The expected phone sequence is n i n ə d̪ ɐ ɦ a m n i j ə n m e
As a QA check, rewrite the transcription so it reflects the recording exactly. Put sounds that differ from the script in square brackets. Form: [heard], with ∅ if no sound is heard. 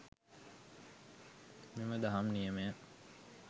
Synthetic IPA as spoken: [m] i [m] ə d̪ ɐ ɦ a m n i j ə [∅] m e